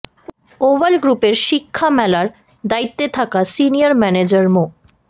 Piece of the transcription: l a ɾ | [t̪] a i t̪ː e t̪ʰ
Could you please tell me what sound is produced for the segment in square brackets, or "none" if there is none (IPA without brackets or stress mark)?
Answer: d̪